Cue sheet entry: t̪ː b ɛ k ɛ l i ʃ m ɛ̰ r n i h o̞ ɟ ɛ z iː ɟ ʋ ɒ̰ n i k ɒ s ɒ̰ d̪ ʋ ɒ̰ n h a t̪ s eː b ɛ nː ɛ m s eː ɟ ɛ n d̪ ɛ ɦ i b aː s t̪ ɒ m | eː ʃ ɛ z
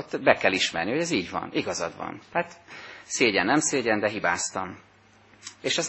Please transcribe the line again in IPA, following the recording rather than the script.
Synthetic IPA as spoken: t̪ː b ɛ k ɛ l i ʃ m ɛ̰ r n i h o̞ ɟ ɛ z iː ɟ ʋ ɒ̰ n i ɡ ɒ z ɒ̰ d̪ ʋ ɒ̰ n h a t̪ s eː ɟ ɛ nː ɛ m s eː ɟ ɛ n d̪ ɛ ɦ i b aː s t̪ ɒ m | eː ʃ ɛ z